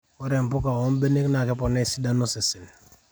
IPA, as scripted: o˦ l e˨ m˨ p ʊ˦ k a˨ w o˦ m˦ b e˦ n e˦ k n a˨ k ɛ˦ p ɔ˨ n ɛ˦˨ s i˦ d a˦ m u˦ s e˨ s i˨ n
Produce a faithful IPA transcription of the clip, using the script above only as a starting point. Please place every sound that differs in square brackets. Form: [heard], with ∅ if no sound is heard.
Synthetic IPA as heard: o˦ [ɾ] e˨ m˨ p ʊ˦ k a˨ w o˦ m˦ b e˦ n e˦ k n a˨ k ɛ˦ p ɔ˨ n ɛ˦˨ s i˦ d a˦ [n] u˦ s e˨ s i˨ n